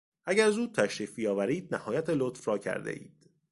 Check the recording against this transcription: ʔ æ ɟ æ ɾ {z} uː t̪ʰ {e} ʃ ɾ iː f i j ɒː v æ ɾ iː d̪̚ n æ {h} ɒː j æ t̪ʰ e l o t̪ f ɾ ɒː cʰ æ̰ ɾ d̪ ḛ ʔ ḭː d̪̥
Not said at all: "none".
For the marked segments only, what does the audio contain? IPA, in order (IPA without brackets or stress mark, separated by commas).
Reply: z, æ, h